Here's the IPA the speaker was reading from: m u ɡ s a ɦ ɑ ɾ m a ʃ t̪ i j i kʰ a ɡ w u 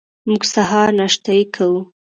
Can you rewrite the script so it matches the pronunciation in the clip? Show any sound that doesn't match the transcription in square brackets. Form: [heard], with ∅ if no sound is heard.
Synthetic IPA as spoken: m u ɡ s a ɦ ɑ ɾ [n] a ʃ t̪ [a] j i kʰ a [∅] w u